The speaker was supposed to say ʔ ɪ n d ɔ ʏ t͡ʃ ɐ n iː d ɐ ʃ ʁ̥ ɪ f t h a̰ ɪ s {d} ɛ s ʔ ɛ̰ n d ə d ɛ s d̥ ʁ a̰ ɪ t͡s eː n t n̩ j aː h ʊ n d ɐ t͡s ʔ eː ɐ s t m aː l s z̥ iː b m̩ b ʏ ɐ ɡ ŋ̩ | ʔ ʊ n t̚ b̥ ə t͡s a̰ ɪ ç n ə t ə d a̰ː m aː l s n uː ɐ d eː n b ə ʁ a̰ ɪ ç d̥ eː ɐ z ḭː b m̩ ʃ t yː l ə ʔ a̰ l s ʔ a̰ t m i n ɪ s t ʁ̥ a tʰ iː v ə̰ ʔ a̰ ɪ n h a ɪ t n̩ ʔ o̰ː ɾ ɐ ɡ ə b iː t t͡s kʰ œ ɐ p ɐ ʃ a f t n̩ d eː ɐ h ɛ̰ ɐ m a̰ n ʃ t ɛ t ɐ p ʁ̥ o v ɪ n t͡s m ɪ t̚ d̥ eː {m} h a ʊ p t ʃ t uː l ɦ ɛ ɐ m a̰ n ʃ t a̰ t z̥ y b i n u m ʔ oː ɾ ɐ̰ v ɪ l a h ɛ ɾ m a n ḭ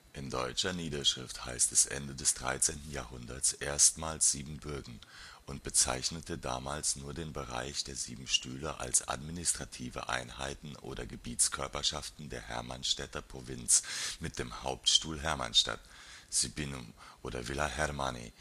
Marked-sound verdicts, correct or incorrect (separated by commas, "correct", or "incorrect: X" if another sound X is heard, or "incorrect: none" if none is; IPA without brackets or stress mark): incorrect: t, correct